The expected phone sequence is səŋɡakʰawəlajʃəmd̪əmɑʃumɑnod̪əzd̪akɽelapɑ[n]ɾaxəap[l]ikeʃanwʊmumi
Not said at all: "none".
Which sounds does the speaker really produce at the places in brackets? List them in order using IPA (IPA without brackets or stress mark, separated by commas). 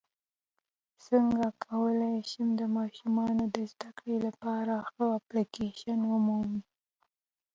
none, l